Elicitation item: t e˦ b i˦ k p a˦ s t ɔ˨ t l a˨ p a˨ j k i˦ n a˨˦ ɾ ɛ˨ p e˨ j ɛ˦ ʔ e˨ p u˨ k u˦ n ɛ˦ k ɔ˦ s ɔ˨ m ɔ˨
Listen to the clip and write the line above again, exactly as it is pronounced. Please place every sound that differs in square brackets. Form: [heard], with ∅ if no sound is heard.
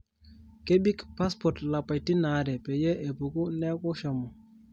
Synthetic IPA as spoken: [k] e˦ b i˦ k p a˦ s [p] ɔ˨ t l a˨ p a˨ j [t] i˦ n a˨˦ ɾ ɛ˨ p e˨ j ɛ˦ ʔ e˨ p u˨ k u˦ n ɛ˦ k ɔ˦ [ʃ] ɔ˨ m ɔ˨

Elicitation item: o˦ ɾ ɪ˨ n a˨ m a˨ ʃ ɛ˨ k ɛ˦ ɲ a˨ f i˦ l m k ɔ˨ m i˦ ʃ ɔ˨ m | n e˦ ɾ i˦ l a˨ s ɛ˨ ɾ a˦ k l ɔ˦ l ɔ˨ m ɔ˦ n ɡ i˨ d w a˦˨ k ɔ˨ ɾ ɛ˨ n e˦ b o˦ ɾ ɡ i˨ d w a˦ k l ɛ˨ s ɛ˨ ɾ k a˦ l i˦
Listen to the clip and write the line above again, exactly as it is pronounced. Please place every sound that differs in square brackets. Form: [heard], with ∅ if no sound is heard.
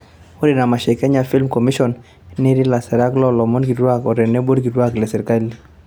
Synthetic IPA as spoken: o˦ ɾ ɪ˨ n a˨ m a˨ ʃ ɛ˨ k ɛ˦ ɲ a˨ f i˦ l m k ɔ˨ m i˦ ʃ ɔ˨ [n] | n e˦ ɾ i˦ l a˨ s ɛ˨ ɾ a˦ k l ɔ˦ l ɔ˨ m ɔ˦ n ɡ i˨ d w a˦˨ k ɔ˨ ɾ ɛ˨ n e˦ b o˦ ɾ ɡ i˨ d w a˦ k l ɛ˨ s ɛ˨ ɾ k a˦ l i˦

